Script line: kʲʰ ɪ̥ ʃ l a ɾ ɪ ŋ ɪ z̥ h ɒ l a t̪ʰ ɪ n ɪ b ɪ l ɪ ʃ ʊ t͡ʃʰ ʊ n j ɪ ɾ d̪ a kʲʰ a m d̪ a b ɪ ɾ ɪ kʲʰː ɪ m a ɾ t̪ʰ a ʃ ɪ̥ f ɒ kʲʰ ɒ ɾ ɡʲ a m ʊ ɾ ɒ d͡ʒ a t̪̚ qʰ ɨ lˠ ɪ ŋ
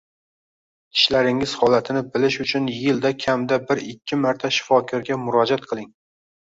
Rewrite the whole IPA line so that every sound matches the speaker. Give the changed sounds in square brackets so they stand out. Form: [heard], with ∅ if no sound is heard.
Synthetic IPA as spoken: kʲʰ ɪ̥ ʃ l a ɾ ɪ ŋ ɪ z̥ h ɒ l a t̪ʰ ɪ n ɪ b ɪ l ɪ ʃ ʊ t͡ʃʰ ʊ n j ɪ [l] d̪ a kʲʰ a m d̪ a b ɪ ɾ ɪ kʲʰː ɪ m a ɾ t̪ʰ a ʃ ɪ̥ f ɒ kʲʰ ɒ ɾ ɡʲ a m ʊ ɾ ɒ d͡ʒ a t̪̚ qʰ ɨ lˠ ɪ ŋ